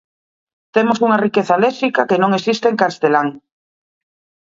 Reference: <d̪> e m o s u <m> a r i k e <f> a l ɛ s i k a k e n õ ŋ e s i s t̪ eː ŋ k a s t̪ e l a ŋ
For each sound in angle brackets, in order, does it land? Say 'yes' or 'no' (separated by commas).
no, no, no